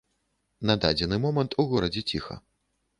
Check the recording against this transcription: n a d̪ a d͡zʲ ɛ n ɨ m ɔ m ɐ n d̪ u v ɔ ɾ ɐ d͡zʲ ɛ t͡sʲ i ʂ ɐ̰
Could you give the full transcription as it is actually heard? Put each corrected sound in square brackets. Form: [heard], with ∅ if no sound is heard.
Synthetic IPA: n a d̪ a d͡zʲ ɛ n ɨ m ɔ m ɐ n [t̪] u [ɣ] ɔ ɾ ɐ d͡zʲ ɛ t͡sʲ i [x] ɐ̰